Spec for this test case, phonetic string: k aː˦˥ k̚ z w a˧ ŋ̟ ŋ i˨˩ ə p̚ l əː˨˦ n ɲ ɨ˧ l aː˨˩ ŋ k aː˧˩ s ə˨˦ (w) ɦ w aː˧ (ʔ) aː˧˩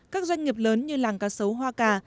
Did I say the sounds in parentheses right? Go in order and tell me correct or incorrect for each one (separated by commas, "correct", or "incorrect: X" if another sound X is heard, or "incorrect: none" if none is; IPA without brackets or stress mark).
correct, incorrect: k